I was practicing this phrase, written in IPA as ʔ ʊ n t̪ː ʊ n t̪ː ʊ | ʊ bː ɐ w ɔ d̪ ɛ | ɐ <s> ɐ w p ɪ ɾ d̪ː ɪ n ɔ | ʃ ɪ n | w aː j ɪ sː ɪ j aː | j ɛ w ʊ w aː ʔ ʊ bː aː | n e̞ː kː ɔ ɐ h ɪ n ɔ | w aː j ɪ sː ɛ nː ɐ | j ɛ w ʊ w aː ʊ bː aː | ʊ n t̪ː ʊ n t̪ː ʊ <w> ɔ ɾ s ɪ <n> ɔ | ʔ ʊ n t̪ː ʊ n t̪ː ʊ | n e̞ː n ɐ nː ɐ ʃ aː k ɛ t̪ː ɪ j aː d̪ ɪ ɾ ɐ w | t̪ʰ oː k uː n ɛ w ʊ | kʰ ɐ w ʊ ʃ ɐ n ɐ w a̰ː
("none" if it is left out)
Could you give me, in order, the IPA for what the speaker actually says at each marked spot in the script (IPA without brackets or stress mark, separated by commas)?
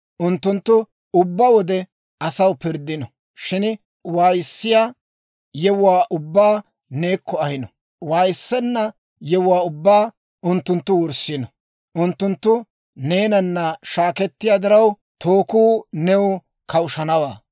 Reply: s, w, n